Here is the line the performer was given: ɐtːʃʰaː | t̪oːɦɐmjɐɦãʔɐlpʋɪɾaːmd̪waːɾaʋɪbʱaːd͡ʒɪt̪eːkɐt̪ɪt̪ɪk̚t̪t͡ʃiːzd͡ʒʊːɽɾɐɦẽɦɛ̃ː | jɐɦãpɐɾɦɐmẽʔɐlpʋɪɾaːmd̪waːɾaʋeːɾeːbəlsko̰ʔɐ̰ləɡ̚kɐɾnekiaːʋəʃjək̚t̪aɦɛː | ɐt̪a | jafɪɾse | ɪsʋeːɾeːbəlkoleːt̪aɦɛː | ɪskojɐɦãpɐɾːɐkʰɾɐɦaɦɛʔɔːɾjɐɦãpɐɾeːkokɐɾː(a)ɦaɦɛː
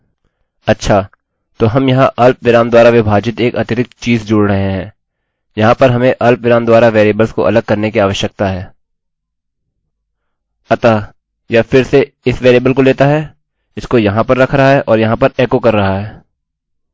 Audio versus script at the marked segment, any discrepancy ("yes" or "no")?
yes